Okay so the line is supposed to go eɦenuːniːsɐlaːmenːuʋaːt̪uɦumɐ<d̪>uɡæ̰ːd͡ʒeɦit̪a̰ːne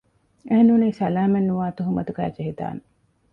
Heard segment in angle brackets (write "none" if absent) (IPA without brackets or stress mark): t̪